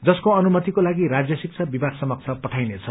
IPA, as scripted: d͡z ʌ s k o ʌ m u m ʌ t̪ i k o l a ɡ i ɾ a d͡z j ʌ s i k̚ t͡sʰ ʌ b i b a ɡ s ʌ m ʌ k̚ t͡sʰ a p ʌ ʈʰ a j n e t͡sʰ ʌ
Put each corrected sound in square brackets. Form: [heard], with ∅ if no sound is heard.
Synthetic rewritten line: d͡z ʌ s k o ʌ [n] u m ʌ t̪ i k o l a ɡ i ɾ a d͡z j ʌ s i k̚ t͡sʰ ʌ b i b a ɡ s ʌ m ʌ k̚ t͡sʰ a p ʌ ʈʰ a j n e t͡sʰ ʌ